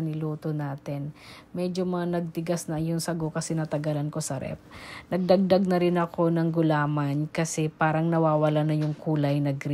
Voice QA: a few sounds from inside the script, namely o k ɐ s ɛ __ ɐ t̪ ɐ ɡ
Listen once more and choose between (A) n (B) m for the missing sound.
A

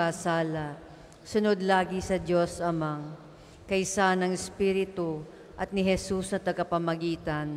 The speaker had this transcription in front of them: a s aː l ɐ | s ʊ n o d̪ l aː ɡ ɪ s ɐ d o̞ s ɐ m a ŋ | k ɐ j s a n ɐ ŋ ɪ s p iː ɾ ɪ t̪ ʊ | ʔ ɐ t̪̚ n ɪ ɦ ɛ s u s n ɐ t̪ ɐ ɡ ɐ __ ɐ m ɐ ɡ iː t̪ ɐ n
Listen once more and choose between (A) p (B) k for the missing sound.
A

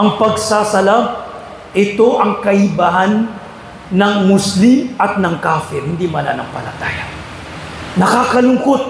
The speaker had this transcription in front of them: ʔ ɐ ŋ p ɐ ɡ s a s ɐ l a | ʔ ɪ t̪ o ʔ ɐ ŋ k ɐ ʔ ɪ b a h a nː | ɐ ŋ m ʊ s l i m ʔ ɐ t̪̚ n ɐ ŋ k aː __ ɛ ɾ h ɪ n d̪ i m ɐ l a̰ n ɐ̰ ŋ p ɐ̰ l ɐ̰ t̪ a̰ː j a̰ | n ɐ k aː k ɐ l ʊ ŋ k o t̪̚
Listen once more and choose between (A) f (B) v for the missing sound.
A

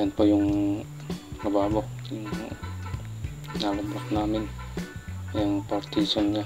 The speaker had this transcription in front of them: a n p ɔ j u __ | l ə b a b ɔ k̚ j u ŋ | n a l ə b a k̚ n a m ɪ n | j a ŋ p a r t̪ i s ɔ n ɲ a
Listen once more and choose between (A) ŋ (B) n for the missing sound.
A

